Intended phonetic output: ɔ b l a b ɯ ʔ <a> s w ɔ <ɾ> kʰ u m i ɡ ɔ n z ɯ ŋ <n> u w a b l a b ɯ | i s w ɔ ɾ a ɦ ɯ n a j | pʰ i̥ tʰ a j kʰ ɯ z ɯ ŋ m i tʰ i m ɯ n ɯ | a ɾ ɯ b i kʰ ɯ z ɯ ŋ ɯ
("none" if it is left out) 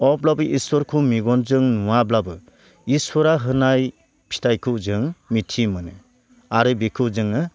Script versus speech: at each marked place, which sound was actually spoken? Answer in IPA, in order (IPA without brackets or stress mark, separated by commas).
i, ɾ, n